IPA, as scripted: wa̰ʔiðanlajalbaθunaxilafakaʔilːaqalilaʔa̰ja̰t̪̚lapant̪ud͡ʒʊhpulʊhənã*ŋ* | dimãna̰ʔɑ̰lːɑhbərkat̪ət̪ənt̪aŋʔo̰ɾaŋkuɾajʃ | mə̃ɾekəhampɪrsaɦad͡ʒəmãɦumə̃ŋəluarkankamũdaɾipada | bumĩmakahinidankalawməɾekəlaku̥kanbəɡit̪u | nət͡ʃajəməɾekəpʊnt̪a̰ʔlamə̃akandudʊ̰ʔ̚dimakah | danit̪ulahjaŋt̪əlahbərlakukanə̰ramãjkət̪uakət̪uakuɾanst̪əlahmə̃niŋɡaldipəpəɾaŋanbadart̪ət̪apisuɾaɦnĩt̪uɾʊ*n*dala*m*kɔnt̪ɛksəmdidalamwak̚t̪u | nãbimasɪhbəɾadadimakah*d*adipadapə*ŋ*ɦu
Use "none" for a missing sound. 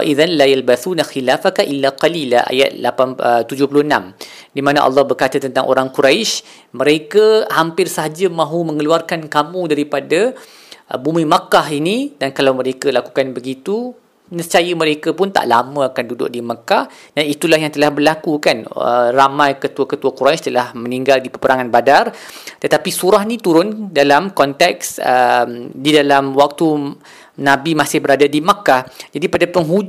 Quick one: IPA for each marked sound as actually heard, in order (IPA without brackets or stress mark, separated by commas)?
m, n, m, d͡ʒ, ŋ